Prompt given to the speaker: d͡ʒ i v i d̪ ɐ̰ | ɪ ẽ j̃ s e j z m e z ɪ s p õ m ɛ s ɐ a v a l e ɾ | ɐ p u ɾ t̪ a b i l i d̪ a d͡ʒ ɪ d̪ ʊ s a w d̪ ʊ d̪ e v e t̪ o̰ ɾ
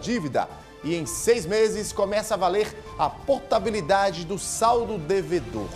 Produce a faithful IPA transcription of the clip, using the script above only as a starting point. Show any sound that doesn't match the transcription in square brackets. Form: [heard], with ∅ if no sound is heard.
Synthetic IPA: d͡ʒ i v i d̪ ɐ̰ | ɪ ẽ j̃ s e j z m e z ɪ s [k] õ m ɛ s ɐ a v a l e ɾ | ɐ p [o] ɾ t̪ a b i l i d̪ a d͡ʒ ɪ d̪ ʊ s a w d̪ ʊ d̪ e v e [d̪] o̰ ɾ